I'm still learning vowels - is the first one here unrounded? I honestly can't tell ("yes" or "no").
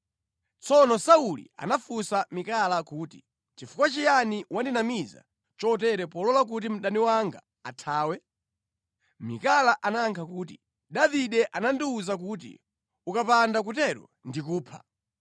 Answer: no